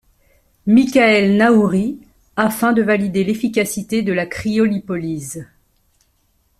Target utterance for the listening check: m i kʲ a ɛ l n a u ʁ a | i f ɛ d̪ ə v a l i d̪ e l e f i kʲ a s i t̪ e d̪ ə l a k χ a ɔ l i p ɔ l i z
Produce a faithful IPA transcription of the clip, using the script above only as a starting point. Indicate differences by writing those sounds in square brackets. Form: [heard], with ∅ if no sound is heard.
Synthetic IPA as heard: m i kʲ a ɛ l n a u ʁ [i] | [a] f [ɛ̃] d̪ ə v a l i d̪ e l e f i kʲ a s i t̪ e d̪ ə l a k χ [i] ɔ l i p ɔ l i z